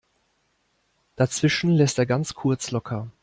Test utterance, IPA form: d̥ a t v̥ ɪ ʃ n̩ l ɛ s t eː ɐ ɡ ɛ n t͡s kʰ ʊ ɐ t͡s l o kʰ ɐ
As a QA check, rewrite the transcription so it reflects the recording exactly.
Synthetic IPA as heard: d̥ a t͡s v̥ ɪ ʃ n̩ l ɛ s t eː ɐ ɡ a n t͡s kʰ ʊ ɐ t͡s l ɔ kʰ ɐ